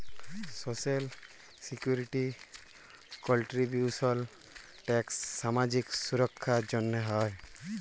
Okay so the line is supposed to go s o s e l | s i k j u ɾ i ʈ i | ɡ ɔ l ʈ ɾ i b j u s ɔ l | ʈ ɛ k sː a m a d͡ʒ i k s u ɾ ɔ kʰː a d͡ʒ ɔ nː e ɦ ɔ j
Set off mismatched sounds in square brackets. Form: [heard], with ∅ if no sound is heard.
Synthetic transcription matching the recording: s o s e l | s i k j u ɾ i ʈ i | [k] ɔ l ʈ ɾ i b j u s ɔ l | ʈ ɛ k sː a m a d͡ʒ i k s u ɾ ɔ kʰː a d͡ʒ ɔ nː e ɦ ɔ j

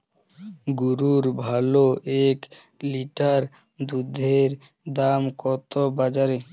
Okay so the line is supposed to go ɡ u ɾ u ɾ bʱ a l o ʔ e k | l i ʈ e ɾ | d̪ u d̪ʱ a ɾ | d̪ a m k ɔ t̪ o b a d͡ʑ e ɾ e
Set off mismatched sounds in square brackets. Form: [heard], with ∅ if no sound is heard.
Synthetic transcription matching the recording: ɡ u ɾ u ɾ bʱ a l o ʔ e k | l i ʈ [a] ɾ | d̪ u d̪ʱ [e] ɾ | d̪ a m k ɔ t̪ o b a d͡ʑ [a] ɾ e

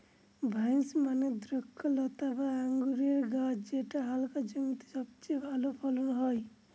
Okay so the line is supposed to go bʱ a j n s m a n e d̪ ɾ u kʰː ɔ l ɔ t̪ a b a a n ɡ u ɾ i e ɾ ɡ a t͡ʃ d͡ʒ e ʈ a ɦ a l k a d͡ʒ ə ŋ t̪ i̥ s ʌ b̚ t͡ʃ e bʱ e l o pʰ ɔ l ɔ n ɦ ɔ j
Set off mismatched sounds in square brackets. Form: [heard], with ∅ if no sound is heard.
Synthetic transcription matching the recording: bʱ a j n s m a n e d̪ ɾ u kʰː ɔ l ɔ t̪ a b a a [ŋ] ɡ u ɾ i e ɾ ɡ a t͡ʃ d͡ʒ e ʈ a ɦ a l k a d͡ʒ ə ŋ t̪ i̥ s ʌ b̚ t͡ʃ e bʱ [a] l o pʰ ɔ l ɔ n ɦ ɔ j

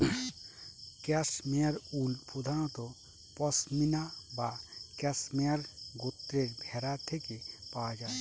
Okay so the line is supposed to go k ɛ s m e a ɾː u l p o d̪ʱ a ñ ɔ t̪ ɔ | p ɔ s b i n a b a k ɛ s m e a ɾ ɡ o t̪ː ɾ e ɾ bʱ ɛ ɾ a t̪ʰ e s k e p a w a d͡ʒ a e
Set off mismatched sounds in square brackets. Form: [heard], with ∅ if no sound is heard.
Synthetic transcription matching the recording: k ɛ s m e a [ɾ] u l p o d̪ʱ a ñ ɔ t̪ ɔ | p ɔ s [m] i n a b a k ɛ s m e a ɾ ɡ o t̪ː ɾ e ɾ bʱ ɛ ɾ a t̪ʰ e [∅] k e p a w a d͡ʒ a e

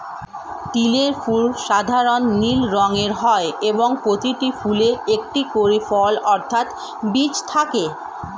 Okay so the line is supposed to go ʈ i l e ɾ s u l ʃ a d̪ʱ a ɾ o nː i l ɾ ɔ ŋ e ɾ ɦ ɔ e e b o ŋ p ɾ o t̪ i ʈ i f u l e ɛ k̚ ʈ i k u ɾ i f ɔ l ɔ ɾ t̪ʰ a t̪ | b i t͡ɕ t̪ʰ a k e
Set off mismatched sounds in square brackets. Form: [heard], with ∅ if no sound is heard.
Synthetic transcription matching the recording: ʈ i l e ɾ [f] u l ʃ a d̪ʱ a ɾ o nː i l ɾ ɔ ŋ e ɾ ɦ ɔ e e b o ŋ p ɾ o t̪ i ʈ i f u l e [e] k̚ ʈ i k [o] ɾ i f ɔ l ɔ ɾ t̪ʰ a t̪ | b i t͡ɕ t̪ʰ a k e

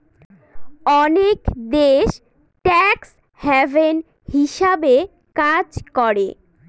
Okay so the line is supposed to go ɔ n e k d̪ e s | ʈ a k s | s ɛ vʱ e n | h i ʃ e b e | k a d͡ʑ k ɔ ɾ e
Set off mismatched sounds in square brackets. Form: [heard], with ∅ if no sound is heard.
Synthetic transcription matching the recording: ɔ n e k d̪ e [ʃ] | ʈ [ɛ] k s | [h] ɛ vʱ e n | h i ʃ [a] b e | k a d͡ʑ k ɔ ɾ e

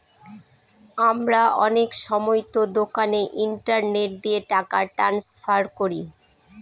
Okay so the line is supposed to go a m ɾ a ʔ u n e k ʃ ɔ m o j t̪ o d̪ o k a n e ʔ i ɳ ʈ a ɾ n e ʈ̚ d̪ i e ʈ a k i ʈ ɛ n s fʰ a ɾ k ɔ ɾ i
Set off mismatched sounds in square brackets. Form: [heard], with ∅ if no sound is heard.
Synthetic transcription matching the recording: a m ɾ a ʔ [ɔ] n e k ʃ ɔ m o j t̪ o d̪ o k a n e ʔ i ɳ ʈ a ɾ n e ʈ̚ d̪ i e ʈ a k [a] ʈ [a] n s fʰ a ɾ k [o] ɾ i

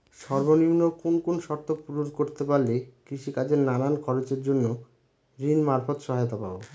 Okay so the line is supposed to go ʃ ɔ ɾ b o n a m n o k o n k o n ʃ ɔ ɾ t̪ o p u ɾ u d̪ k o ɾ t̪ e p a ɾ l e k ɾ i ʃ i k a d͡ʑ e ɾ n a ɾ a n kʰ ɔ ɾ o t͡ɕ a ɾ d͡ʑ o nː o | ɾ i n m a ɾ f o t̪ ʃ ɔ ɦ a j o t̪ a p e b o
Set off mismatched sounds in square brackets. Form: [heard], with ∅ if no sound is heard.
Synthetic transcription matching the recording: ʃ ɔ ɾ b o n [i] m n o k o n k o n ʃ ɔ ɾ t̪ o p u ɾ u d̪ k o ɾ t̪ e p a ɾ l e k ɾ i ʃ i k a d͡ʑ e ɾ n a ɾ a n kʰ ɔ ɾ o t͡ɕ [e] ɾ d͡ʑ o nː o | ɾ i n m a ɾ f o t̪ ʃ ɔ ɦ a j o t̪ a p [a] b o

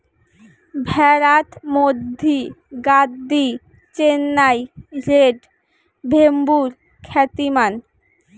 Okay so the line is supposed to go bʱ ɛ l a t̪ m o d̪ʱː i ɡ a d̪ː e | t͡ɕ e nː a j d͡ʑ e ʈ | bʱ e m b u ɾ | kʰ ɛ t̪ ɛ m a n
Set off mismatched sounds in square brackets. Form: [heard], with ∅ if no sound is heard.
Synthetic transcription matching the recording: bʱ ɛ [ɾ] a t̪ m o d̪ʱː i ɡ a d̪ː [i] | t͡ɕ e nː a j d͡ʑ e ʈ | bʱ e m b u ɾ | kʰ ɛ t̪ [i] m a n

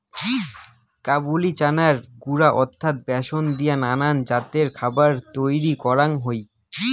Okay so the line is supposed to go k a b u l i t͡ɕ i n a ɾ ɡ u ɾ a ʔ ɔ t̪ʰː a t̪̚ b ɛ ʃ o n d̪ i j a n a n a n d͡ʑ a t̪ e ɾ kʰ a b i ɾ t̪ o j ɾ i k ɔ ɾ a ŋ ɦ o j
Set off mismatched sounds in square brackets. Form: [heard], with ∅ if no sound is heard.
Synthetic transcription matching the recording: k a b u l i t͡ɕ [a] n a ɾ ɡ u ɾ a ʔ ɔ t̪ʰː a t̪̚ b ɛ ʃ o n d̪ i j a n a n a n d͡ʑ a t̪ e ɾ kʰ a b [a] ɾ t̪ o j ɾ i k ɔ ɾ a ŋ ɦ o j

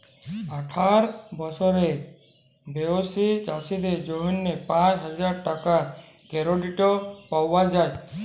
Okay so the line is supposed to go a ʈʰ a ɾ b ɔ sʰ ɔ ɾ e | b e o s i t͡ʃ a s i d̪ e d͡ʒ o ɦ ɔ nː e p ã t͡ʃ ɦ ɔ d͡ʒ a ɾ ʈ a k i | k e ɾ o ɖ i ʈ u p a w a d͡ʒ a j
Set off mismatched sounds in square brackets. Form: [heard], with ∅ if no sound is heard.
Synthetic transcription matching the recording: a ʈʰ a ɾ b ɔ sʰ ɔ ɾ e | b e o s i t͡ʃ a s i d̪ e d͡ʒ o ɦ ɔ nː e p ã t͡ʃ ɦ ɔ d͡ʒ a ɾ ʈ a k [a] | k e ɾ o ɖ i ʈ [ɔ] p a w a d͡ʒ a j

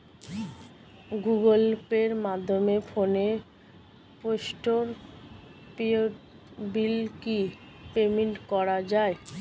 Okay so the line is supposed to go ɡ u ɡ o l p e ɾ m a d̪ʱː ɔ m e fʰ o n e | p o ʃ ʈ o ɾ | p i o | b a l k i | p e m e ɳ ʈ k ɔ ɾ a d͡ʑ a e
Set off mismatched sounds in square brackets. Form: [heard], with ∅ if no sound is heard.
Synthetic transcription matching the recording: ɡ u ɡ o l p e ɾ m a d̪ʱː [o] m e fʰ o n e | p o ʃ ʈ o ɾ | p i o | b [i] l k i | p e m e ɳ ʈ k ɔ ɾ a d͡ʑ a e

